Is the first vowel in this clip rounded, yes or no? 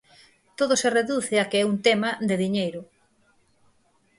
yes